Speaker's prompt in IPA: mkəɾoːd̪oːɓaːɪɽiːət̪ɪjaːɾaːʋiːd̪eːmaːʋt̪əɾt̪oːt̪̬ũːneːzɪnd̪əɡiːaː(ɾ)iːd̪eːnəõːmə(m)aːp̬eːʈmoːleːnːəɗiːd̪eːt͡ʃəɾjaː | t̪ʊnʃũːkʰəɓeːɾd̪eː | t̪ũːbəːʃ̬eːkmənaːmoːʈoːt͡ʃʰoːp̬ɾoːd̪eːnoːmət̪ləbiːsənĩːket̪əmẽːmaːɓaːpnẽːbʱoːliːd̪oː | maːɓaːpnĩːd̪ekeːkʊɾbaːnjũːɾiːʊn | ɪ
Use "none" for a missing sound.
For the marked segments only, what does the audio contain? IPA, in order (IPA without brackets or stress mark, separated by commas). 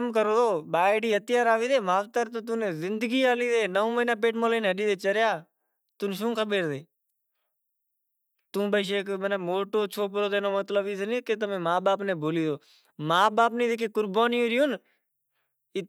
l, n